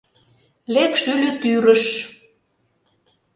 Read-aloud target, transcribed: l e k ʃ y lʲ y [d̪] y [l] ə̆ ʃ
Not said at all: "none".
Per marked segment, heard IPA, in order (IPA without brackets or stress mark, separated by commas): t̪, ɾ